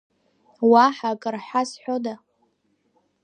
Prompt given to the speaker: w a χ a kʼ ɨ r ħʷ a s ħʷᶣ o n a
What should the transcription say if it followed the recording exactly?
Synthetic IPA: w a ħ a kʼ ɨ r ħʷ a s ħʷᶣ o d a